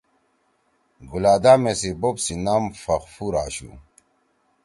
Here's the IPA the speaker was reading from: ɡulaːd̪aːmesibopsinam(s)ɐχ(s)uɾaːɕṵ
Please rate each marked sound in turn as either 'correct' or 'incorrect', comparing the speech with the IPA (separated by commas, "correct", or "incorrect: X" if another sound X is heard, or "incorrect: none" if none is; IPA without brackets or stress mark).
incorrect: f, incorrect: f